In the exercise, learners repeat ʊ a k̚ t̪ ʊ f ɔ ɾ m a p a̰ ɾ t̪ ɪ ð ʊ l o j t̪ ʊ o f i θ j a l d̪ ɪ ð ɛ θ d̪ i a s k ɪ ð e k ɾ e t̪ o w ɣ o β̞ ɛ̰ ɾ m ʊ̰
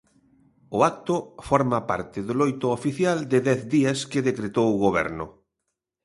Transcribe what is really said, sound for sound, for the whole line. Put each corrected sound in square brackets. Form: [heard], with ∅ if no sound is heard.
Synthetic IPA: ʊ a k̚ t̪ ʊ f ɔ ɾ m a p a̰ ɾ t̪ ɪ ð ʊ l o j t̪ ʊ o f i θ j a l d̪ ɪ ð ɛ θ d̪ i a s k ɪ ð e k ɾ e t̪ o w ɣ o β̞ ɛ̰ ɾ [n] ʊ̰